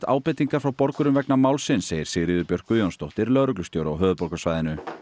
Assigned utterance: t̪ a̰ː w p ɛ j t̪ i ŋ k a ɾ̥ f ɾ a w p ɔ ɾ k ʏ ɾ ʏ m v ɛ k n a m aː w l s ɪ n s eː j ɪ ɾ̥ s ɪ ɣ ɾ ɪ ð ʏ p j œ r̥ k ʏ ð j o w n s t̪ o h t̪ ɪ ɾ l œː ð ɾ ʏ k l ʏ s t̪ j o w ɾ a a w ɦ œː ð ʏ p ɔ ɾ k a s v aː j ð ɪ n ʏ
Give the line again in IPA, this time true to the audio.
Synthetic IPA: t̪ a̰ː w p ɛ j t̪ i ŋ k a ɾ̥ f ɾ a w p ɔ ɾ k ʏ ɾ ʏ m v ɛ k n a m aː w l s ɪ n s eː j ɪ ɾ̥ s ɪ ɣ ɾ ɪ ð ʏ p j œ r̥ k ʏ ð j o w n s t̪ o h t̪ ɪ ɾ l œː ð ɾ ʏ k l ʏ s t̪ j o w ɾ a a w ɦ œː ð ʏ p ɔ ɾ k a s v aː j ð ɪ n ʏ